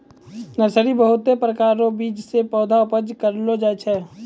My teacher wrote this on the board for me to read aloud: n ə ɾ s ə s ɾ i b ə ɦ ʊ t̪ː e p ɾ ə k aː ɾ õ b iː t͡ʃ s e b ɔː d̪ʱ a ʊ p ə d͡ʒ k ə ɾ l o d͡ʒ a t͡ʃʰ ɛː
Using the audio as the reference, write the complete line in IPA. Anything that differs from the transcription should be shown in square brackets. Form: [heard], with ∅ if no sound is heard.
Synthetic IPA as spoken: n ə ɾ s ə [∅] ɾ i b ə ɦ ʊ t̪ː e p ɾ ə k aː ɾ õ b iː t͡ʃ s e [p] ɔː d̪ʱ a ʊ p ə d͡ʒ k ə ɾ l o d͡ʒ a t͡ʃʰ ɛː